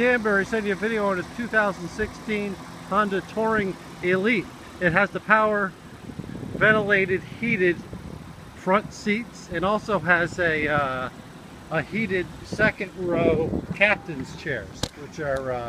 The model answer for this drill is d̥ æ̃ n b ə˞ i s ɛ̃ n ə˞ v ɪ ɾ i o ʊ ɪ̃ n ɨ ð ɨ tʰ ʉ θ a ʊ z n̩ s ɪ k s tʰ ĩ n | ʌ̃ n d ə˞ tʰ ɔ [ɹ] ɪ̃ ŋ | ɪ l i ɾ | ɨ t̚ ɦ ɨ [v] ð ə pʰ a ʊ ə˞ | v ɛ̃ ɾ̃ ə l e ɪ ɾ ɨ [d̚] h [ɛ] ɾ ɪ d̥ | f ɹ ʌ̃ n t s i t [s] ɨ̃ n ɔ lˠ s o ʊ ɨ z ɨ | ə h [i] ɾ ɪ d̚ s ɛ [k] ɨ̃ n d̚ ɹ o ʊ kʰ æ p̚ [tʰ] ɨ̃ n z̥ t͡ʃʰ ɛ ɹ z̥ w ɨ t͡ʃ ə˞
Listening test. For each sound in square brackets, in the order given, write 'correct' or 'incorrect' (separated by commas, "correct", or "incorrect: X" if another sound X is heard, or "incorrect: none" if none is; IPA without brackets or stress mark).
correct, incorrect: z, correct, incorrect: i, correct, correct, correct, incorrect: t